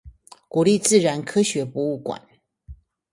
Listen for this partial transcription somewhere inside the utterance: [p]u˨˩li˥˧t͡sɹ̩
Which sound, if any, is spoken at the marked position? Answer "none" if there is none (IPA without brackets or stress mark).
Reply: k